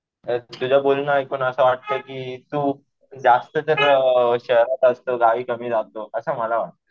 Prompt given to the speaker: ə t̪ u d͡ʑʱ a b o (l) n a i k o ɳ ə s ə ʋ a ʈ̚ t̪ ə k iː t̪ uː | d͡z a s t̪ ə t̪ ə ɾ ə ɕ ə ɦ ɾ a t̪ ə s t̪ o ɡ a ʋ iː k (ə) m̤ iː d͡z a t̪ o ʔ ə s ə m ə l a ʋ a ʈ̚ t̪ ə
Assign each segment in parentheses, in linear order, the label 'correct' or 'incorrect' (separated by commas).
correct, correct